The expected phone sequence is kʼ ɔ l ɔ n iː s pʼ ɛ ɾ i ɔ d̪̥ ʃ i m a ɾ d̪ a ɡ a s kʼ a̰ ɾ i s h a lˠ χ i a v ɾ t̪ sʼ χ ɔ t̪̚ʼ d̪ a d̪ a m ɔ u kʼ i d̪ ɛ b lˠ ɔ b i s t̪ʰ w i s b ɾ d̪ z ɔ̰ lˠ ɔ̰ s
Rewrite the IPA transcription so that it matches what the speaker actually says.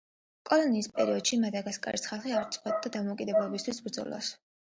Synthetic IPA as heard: kʼ ɔ l ɔ n iː s pʼ ɛ ɾ i ɔ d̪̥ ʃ i m a d̪ a ɡ a s kʼ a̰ ɾ i s χ a lˠ χ i a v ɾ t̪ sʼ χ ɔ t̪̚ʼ d̪ a d̪ a m ɔ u kʼ i d̪ ɛ b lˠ ɔ b i s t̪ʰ w i s b ɾ d̪ z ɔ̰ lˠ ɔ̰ s